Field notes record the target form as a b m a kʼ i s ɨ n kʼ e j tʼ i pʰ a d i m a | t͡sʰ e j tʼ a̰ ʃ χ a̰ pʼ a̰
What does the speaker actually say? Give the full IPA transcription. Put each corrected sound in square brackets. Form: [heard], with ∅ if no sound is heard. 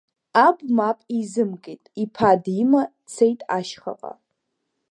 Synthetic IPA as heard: a b m a [pʼ] i [z] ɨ [m] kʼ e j tʼ i pʰ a d i m a | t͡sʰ e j tʼ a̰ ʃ χ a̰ [qʼ] a̰